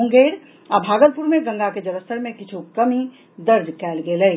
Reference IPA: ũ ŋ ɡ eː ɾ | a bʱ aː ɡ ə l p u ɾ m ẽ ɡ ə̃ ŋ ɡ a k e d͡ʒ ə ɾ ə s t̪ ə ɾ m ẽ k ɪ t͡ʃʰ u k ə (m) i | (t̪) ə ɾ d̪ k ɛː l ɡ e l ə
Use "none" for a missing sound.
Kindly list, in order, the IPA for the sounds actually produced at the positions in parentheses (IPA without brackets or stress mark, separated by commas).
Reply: m, d̪